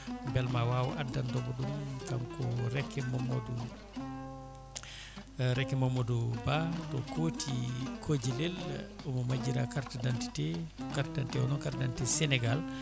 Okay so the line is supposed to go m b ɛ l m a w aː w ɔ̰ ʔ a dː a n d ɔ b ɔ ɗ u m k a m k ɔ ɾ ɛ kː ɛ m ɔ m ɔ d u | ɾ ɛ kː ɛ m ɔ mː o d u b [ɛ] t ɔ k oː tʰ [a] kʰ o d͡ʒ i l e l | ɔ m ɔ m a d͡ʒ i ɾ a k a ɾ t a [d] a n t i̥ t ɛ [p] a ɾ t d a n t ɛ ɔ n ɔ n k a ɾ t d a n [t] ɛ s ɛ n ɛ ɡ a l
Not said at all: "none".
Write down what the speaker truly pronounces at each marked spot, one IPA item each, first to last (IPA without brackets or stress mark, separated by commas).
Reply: a, i, d, k, t